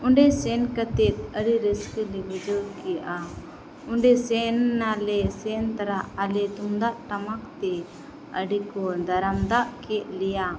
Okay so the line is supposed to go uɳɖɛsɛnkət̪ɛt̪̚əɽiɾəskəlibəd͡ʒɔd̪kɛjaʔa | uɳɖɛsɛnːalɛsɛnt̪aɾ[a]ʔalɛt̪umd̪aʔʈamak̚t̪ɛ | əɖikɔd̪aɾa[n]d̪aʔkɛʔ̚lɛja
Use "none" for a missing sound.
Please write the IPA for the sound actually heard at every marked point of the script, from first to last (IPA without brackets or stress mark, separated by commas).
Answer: a, m